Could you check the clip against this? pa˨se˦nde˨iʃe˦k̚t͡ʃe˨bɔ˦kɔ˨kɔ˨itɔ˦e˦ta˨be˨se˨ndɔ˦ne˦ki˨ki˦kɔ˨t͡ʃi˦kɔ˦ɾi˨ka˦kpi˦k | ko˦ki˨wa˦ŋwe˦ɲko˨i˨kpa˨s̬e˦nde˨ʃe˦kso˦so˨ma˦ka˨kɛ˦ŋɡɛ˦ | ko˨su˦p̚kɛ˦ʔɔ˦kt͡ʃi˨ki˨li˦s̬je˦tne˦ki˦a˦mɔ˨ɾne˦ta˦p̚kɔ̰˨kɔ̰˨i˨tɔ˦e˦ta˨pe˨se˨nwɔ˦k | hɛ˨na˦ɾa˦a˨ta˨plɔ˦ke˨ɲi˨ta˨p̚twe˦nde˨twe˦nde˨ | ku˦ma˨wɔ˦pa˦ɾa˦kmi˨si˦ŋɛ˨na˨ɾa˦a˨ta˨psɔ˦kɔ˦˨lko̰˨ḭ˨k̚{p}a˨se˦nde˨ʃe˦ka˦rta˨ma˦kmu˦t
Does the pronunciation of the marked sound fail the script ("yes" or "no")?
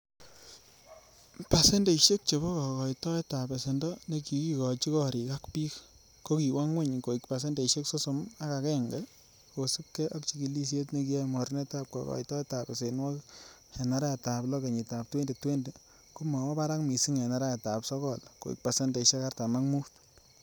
no